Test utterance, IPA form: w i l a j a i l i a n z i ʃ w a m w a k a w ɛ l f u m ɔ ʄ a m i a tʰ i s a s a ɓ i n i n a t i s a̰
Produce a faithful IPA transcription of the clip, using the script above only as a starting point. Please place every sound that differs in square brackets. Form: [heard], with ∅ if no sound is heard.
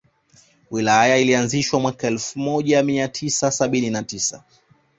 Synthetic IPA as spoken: w i l a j a i l i a n z i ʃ w a m w a k a [∅] ɛ l f u m ɔ ʄ a m i a tʰ i s a s a ɓ i n i n a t i s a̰